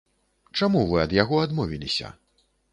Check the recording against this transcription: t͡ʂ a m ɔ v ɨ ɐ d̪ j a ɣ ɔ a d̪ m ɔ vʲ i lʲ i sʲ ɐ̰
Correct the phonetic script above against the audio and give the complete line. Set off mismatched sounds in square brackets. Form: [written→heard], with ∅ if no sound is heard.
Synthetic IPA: t͡ʂ a m [ɔ→u] v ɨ ɐ d̪ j a ɣ ɔ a d̪ m ɔ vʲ i lʲ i sʲ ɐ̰